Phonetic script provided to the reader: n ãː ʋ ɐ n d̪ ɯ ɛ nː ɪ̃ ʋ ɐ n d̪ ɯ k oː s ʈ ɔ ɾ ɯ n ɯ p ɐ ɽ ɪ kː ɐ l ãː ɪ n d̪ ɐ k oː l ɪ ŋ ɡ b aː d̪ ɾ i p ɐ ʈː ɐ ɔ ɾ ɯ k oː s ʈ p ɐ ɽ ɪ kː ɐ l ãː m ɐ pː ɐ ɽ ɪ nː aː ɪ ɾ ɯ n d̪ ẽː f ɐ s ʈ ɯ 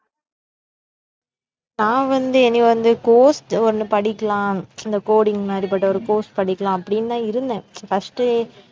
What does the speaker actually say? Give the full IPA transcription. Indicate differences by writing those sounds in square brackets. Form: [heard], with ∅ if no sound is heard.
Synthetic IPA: n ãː ʋ ɐ n d̪ ɯ ɛ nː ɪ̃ ʋ ɐ n d̪ ɯ k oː s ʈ ɔ ɾ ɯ n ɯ p ɐ ɽ ɪ kː ɐ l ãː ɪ n d̪ ɐ k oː [ɽ] ɪ ŋ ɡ [m] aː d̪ ɾ i p ɐ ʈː ɐ ɔ ɾ ɯ k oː s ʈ p ɐ ɽ ɪ kː ɐ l ãː [∅] ɐ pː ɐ ɽ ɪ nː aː ɪ ɾ ɯ n d̪ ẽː f ɐ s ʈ ɯ

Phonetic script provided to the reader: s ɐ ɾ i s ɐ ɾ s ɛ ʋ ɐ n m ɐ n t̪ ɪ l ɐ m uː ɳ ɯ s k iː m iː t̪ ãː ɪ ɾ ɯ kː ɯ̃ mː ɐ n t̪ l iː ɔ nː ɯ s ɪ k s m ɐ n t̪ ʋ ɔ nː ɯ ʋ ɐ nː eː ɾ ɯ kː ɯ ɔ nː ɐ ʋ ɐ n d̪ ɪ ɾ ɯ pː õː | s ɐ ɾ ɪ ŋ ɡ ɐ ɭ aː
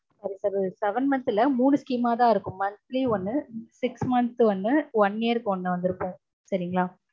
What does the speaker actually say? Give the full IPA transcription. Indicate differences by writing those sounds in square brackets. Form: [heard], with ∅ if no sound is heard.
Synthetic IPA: s ɐ ɾ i s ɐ ɾ s ɛ ʋ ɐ n m ɐ n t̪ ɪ l ɐ m uː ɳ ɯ s k iː m [aː] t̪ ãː ɪ ɾ ɯ kː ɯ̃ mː ɐ n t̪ l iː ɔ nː ɯ s ɪ k s m ɐ n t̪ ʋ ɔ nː ɯ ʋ ɐ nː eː ɾ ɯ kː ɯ ɔ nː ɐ ʋ ɐ n d̪ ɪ ɾ ɯ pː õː | s ɐ ɾ ɪ ŋ ɡ ɐ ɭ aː

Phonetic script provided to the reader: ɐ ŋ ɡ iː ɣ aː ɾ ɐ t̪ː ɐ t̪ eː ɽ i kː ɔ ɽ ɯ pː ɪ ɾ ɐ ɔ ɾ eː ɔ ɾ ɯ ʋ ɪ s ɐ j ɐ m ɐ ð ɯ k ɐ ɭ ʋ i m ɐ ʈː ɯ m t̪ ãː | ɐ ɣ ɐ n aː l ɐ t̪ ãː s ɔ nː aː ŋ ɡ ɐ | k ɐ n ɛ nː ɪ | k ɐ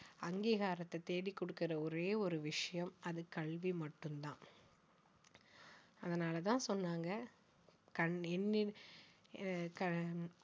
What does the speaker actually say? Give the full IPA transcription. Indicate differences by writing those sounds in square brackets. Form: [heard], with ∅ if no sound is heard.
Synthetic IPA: ɐ ŋ ɡ iː ɣ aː ɾ ɐ t̪ː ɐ t̪ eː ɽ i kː ɔ ɽ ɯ [kː] ɪ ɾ ɐ ɔ ɾ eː ɔ ɾ ɯ ʋ ɪ [ʂ] ɐ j ɐ m ɐ ð ɯ k ɐ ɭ ʋ i m ɐ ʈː ɯ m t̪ ãː | ɐ [ð] ɐ n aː l ɐ t̪ ãː s ɔ nː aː ŋ ɡ ɐ | k ɐ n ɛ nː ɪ | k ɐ

